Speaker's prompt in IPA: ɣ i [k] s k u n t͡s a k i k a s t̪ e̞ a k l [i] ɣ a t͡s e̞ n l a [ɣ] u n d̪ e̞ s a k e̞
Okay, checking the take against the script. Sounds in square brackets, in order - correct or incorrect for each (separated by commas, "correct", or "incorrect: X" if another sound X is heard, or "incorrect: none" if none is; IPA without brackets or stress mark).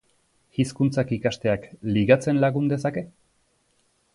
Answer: incorrect: none, correct, correct